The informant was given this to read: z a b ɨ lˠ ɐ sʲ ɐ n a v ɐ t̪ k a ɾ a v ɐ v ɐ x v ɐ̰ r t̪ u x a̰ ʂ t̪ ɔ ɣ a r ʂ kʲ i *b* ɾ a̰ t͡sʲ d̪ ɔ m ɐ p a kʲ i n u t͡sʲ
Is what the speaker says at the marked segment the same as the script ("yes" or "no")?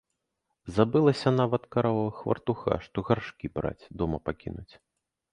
yes